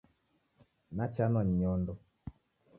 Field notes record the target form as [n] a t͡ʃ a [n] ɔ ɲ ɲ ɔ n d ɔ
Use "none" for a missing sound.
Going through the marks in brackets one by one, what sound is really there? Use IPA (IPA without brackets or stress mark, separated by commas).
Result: n, n